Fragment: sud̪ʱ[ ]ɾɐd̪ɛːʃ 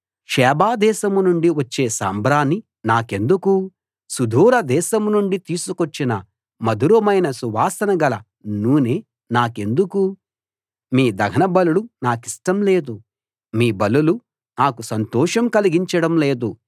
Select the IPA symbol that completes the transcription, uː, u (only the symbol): uː